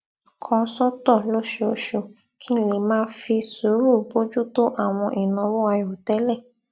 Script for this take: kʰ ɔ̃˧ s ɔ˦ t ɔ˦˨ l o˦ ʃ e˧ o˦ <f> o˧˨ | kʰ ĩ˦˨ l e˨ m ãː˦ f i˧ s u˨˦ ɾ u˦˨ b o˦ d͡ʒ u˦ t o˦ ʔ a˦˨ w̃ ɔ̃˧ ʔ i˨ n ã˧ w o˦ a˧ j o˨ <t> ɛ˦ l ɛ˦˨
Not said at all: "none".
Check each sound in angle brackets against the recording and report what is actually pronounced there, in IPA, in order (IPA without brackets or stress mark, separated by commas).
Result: ʃ, t